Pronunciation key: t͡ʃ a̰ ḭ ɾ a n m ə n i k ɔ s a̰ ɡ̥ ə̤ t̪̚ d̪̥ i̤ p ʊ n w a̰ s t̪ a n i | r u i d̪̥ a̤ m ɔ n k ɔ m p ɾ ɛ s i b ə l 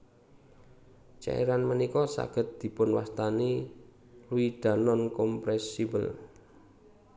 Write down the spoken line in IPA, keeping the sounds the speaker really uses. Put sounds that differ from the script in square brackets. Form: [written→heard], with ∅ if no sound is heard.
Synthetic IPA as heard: t͡ʃ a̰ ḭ ɾ a n m ə n i k ɔ s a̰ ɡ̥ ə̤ t̪̚ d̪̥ i̤ p ʊ n w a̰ s t̪ a n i | [r→l] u i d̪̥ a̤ [m→n] ɔ n k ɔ m p ɾ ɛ s i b ə l